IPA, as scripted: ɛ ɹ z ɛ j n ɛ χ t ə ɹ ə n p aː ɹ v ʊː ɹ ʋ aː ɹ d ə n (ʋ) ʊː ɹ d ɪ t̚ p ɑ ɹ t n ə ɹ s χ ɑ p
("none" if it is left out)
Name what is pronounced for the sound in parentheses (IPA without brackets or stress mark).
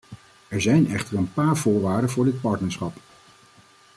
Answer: v